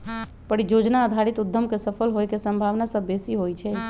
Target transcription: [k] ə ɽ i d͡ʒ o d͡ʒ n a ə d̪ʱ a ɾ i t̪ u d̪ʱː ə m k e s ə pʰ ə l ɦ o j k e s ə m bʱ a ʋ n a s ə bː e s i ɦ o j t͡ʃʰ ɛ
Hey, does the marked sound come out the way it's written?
no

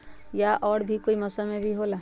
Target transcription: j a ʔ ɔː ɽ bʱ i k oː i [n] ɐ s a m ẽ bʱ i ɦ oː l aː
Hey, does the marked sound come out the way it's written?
no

